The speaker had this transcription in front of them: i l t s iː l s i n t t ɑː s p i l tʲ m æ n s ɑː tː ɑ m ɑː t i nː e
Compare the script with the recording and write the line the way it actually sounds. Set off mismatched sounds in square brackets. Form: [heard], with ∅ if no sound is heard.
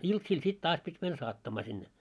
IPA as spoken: i l t s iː l s i [∅] t t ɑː s p i [∅] tʲ m æ n s ɑː tː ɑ m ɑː [s] i nː e